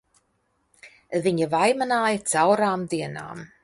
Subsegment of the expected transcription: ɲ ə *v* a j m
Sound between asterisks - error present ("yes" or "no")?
no